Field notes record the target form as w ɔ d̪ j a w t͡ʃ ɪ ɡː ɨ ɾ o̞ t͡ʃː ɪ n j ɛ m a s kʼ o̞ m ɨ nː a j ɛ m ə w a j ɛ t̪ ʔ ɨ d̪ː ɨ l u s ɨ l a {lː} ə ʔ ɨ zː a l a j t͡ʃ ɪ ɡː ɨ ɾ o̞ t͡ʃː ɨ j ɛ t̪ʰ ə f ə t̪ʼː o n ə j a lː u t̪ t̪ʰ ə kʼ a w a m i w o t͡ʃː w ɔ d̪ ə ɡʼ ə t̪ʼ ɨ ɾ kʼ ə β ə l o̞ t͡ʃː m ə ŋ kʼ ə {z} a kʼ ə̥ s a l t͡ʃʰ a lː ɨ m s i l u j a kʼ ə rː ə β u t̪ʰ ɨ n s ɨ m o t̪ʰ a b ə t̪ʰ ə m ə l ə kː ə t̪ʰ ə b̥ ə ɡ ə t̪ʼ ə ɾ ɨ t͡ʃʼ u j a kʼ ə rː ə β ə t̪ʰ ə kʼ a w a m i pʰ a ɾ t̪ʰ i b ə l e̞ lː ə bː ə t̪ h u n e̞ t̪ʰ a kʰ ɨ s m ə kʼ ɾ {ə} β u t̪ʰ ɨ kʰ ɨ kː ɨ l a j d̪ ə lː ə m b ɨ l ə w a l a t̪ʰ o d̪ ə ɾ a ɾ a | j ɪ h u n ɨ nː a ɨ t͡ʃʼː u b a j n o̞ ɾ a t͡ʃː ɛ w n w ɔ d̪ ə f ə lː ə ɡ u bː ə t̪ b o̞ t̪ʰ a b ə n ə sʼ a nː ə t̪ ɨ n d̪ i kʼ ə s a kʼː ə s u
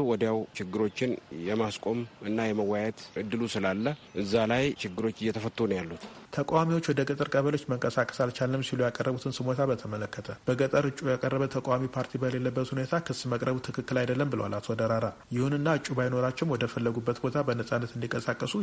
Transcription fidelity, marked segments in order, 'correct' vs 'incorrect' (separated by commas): correct, incorrect, correct